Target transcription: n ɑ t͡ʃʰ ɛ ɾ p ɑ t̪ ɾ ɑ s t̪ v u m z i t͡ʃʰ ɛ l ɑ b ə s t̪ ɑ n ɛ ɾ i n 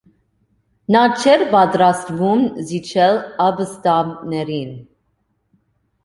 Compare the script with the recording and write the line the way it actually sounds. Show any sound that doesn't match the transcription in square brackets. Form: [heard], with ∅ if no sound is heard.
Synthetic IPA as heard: n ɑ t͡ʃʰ ɛ ɾ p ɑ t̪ ɾ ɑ s t̪ v u m z i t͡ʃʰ ɛ l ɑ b ə s t̪ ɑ n ɛ ɾ i n